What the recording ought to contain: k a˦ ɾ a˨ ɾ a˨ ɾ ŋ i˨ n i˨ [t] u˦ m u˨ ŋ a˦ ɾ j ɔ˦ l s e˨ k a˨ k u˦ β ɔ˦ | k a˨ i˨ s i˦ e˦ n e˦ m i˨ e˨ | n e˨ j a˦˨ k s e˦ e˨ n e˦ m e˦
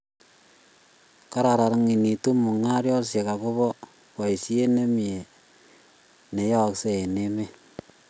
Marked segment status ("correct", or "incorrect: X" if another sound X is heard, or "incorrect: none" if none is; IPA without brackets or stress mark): correct